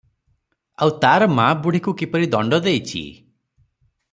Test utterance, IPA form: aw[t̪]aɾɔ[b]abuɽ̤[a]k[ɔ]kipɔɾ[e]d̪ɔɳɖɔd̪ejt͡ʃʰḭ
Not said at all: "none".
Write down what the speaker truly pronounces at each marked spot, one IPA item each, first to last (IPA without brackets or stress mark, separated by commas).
t̪, m, i, u, i